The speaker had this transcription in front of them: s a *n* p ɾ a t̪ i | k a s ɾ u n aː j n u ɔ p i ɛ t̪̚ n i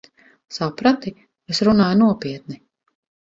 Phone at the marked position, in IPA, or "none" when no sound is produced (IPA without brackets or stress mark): none